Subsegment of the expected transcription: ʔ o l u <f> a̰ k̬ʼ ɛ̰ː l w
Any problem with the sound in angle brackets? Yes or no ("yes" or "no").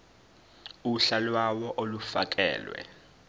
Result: no